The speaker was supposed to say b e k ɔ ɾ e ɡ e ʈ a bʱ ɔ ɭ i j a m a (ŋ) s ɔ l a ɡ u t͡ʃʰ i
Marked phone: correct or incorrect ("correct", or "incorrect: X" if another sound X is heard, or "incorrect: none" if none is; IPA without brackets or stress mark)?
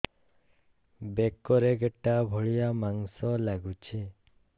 correct